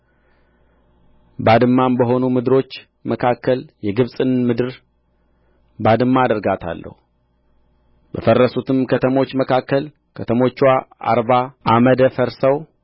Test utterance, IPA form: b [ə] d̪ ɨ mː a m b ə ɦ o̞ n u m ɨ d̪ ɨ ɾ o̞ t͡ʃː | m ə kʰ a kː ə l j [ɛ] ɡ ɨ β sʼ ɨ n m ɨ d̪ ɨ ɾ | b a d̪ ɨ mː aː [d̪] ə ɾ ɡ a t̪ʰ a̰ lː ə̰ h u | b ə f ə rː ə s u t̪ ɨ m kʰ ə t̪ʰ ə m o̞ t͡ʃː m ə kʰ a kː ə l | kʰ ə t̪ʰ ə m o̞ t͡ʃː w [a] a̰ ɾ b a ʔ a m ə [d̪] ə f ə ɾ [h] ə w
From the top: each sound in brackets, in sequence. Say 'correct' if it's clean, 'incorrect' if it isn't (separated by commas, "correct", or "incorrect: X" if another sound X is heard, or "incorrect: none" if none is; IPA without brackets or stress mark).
incorrect: a, correct, correct, correct, correct, incorrect: s